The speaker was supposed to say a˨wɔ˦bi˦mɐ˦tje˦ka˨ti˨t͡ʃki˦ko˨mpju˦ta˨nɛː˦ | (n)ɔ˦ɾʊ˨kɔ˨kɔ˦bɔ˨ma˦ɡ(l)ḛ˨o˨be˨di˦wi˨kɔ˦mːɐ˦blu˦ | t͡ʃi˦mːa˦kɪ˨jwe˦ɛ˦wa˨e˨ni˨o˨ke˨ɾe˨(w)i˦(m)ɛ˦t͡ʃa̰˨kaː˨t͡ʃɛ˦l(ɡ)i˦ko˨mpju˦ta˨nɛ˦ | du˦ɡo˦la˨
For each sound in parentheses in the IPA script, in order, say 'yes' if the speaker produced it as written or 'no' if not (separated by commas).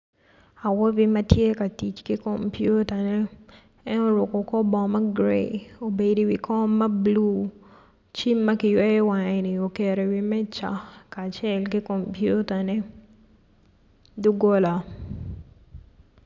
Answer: yes, no, yes, yes, no